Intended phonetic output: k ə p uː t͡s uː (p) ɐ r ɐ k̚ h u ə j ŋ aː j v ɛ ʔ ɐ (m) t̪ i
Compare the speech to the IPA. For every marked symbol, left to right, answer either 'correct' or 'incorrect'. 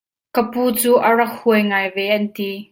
incorrect: ʔ, incorrect: n

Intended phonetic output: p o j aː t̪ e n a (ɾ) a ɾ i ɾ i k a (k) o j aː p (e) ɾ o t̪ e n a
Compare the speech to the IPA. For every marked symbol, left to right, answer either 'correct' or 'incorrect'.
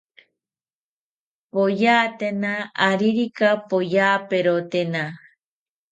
incorrect: none, incorrect: p, correct

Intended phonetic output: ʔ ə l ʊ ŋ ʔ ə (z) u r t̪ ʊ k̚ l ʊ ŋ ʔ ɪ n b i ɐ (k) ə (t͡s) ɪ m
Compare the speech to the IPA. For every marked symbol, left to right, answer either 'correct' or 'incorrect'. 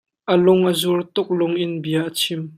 correct, incorrect: ʔ, incorrect: t͡sʰ

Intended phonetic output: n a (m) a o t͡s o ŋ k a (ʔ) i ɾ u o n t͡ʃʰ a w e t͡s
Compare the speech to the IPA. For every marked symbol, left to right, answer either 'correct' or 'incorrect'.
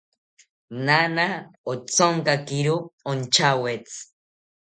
incorrect: n, incorrect: k

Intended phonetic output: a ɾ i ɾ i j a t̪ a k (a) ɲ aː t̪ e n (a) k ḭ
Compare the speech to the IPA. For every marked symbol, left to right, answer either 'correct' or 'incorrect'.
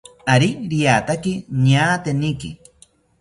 incorrect: i, incorrect: i

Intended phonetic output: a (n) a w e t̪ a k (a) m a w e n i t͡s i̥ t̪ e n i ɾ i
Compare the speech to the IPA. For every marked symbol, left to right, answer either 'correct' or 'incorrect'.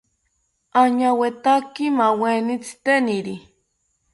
incorrect: ɲ, incorrect: i

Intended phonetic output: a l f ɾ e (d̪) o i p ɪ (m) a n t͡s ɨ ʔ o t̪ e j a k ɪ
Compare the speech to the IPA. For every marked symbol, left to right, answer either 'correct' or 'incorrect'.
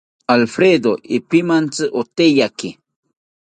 correct, correct

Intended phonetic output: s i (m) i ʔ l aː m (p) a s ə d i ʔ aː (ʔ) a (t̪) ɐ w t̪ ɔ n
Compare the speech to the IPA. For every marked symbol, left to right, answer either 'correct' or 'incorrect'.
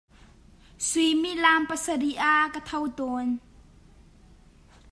correct, correct, incorrect: k, incorrect: t̪ʰ

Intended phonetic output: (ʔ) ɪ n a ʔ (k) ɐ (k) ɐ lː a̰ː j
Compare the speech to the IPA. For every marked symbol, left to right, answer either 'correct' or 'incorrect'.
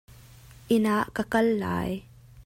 correct, correct, correct

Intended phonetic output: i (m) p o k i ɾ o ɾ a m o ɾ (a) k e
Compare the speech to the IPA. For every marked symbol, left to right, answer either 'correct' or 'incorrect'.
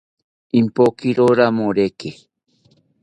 correct, incorrect: e

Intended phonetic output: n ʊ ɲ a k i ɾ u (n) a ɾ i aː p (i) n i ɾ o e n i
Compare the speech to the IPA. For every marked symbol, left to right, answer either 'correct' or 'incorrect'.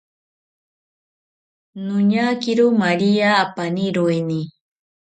incorrect: m, incorrect: a

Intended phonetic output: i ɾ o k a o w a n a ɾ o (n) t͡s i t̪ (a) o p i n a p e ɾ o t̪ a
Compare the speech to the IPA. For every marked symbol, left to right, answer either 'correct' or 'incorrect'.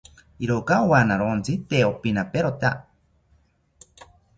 correct, incorrect: e

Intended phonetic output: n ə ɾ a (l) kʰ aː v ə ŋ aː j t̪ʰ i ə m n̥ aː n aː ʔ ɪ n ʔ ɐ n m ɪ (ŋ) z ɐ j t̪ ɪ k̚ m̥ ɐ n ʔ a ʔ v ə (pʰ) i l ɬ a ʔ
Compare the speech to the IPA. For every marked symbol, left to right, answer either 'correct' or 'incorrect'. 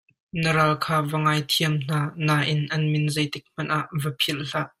correct, incorrect: n, correct

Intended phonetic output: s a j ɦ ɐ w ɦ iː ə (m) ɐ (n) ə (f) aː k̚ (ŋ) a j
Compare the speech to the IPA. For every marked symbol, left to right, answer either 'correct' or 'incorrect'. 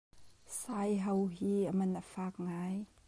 correct, correct, correct, correct

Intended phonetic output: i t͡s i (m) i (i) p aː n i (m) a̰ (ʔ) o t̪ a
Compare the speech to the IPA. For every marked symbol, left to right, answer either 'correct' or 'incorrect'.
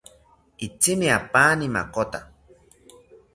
correct, incorrect: a, correct, incorrect: k

